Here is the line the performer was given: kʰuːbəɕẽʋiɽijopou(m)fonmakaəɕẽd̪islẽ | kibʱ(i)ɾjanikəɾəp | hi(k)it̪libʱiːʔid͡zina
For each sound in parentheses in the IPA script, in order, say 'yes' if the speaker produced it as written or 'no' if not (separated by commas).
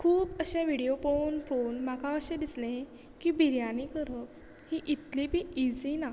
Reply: no, yes, no